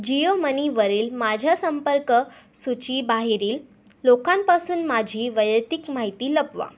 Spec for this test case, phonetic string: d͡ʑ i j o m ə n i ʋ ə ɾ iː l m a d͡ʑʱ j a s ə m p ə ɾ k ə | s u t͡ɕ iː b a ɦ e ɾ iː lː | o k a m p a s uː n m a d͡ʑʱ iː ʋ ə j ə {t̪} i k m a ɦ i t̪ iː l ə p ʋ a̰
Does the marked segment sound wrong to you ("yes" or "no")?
no